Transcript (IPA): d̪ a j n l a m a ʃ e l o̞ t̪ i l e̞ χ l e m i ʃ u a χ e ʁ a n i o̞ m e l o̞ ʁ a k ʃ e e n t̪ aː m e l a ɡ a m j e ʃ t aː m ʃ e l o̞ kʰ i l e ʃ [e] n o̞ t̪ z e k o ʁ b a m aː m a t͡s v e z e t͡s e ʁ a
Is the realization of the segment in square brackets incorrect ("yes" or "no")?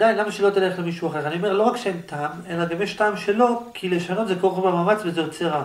yes